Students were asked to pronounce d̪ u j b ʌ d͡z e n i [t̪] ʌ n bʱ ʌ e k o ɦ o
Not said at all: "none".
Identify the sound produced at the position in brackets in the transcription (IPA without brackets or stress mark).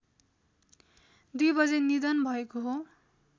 d̪